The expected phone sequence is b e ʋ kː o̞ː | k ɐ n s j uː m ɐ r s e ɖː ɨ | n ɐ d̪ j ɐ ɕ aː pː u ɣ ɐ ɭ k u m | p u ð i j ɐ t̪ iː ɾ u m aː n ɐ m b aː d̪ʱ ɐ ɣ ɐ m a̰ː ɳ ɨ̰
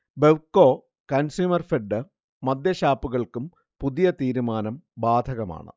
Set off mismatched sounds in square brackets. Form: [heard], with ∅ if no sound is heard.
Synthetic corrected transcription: b e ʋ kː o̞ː | k ɐ n s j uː m ɐ r [f] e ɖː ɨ | [m] ɐ d̪ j ɐ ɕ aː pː u ɣ ɐ ɭ k u m | p u ð i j ɐ t̪ iː ɾ u m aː n ɐ m b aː d̪ʱ ɐ ɣ ɐ m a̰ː ɳ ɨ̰